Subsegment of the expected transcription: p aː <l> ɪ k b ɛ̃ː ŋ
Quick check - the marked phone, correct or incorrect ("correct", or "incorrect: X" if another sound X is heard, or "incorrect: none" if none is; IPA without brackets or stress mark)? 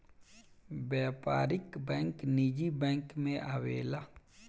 incorrect: ɾ